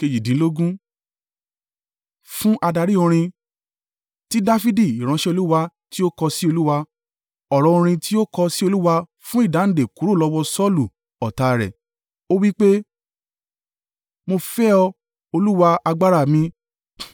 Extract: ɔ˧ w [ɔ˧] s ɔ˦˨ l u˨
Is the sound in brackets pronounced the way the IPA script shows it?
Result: yes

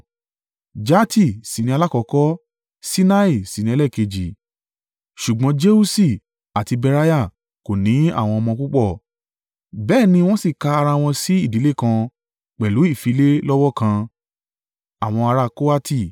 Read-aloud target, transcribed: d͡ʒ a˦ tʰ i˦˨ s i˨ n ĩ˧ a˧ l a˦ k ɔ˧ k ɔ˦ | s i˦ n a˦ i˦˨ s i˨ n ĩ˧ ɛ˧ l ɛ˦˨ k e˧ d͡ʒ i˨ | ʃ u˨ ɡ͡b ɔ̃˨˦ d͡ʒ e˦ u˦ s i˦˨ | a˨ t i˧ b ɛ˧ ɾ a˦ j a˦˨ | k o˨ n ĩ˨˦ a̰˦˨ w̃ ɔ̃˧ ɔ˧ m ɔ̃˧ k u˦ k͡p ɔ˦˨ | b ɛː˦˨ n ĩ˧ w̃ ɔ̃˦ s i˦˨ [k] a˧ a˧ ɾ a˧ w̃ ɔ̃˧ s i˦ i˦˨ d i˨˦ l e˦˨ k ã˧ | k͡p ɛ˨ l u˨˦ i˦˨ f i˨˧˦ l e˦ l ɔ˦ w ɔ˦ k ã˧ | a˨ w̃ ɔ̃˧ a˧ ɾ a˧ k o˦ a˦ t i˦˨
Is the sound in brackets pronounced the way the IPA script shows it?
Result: yes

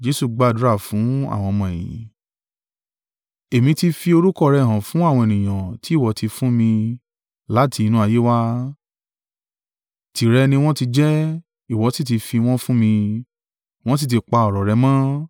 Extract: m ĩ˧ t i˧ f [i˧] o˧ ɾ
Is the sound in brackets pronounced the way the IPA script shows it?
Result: yes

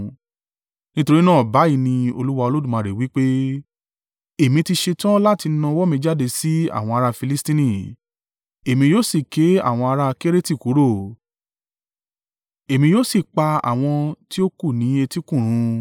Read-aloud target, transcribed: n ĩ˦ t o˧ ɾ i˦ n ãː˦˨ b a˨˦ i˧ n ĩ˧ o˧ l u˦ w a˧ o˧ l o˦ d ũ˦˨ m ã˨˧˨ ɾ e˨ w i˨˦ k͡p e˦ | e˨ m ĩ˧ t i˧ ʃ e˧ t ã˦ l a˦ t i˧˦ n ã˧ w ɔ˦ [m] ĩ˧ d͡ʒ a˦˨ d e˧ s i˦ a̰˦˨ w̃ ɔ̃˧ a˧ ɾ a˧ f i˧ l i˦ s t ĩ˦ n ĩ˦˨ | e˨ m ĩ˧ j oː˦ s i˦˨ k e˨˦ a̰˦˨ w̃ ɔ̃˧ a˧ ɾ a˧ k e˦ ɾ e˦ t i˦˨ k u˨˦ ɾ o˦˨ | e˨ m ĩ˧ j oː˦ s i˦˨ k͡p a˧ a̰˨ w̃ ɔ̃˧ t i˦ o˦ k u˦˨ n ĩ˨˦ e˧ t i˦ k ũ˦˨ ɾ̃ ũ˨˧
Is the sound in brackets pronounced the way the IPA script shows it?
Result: yes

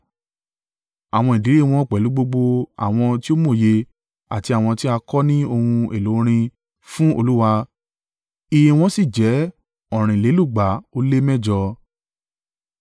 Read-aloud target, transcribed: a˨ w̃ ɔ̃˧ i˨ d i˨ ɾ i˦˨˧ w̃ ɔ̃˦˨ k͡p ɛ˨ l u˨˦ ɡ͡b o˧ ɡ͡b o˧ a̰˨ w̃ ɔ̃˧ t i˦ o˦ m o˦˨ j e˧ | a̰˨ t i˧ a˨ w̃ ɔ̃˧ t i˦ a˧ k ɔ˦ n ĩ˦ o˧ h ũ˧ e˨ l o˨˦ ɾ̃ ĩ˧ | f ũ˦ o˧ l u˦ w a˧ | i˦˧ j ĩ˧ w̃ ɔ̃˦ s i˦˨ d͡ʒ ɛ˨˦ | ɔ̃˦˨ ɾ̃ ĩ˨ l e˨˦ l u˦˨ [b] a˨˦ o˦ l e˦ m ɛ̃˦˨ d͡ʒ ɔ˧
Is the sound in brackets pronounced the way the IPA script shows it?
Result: no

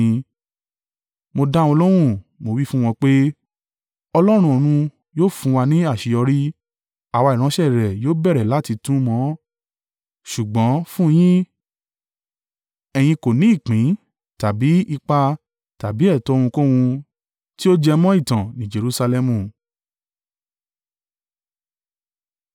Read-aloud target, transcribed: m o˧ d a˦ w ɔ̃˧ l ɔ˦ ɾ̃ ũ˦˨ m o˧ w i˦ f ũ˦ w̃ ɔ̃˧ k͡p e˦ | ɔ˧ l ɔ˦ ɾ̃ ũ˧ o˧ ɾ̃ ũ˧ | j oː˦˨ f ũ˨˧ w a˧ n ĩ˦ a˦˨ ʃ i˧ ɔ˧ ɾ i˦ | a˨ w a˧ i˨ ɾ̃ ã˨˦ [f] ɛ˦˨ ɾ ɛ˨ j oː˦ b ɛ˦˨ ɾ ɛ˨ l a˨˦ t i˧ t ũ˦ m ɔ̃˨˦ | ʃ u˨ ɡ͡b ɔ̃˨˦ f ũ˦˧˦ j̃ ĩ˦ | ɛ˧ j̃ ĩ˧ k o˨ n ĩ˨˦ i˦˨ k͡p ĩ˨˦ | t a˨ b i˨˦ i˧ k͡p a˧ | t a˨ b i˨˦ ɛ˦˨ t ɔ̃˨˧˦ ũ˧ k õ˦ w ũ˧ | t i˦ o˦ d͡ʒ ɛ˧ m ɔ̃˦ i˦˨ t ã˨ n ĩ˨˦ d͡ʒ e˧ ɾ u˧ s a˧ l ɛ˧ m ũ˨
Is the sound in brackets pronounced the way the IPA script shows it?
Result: no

